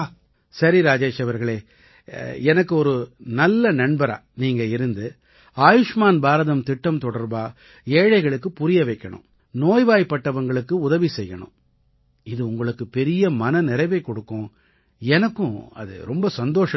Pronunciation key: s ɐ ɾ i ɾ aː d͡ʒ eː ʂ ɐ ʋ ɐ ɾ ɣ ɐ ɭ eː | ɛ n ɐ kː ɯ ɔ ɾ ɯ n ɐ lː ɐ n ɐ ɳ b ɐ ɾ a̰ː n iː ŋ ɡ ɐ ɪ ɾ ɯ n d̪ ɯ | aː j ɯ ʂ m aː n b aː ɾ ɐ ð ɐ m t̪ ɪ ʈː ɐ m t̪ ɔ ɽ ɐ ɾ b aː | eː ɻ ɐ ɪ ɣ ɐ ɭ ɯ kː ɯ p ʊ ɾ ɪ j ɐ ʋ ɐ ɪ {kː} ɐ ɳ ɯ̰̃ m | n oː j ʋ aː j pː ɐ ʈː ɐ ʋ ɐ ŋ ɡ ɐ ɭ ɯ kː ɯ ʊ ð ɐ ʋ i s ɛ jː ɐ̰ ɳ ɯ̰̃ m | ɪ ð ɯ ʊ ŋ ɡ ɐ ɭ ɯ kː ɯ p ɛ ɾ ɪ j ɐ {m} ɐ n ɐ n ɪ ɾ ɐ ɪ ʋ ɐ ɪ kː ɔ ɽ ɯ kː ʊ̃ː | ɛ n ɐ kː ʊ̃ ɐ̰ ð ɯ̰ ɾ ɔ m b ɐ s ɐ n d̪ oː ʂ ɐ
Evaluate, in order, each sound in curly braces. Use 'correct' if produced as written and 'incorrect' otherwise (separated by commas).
correct, correct